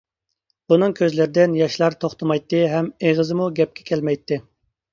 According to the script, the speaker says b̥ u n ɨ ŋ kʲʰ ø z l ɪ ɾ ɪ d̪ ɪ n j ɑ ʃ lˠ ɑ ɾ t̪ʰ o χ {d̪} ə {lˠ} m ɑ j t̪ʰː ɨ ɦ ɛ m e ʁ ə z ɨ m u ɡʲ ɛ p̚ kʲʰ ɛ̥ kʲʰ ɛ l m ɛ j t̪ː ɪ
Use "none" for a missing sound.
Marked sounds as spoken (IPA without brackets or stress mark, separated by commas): t̪, none